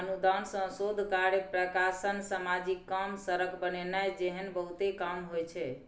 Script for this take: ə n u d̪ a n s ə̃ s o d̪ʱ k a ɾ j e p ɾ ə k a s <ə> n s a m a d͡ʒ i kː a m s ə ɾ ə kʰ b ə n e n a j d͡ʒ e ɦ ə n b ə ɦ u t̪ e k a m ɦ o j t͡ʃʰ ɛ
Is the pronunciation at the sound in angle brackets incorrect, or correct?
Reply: correct